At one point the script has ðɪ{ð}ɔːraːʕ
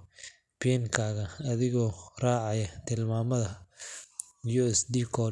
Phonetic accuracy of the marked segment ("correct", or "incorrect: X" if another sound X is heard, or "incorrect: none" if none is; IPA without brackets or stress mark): incorrect: ɣ